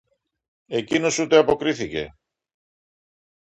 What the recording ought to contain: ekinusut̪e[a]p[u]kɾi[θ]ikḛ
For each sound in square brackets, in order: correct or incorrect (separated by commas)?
correct, incorrect, correct